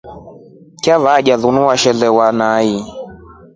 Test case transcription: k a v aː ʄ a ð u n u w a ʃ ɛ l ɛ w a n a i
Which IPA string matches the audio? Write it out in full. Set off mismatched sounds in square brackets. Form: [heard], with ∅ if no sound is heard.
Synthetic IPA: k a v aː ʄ a ð u n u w a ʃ ɛ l ɛ w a n a i

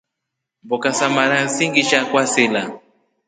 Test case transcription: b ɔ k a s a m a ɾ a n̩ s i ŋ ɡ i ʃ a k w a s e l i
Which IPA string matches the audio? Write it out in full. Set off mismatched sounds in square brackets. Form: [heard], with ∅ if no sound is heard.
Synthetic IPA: b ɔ k a s a m a ɾ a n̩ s i ŋ ɡ i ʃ a k w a s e l [a]

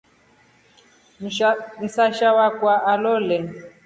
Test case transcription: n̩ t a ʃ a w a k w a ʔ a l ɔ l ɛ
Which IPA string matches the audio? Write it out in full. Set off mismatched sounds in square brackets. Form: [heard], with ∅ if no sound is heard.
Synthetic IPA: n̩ [s] a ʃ a w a k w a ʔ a l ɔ l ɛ

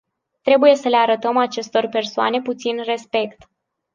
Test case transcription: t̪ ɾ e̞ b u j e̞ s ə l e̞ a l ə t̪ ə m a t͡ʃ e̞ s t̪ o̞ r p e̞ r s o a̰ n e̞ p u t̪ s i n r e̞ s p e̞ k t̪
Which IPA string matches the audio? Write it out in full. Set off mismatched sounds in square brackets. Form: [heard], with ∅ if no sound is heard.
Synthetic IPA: t̪ ɾ e̞ b u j e̞ s ə l e̞ a [ɾ] ə t̪ ə m a t͡ʃ e̞ s t̪ o̞ r p e̞ r s o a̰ n e̞ p u t̪ s i n r e̞ s p e̞ k t̪

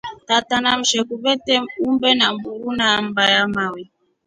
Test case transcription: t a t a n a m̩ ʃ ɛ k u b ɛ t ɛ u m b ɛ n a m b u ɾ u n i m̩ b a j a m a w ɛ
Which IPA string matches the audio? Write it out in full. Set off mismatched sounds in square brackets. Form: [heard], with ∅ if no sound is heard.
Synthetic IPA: t a t a n a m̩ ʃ ɛ k u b ɛ t ɛ u m b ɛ n a m b u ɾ u n [a] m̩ b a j a m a w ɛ

